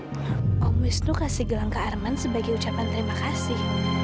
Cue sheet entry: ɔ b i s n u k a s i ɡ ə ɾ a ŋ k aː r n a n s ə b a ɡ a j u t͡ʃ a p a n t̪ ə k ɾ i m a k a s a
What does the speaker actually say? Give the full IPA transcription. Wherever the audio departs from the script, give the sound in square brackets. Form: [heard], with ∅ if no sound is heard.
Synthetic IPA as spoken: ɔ [m] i s n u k a s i ɡ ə [l] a ŋ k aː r [m] a n s ə b a ɡ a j u t͡ʃ a p a n t̪ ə [∅] ɾ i m a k a s [i]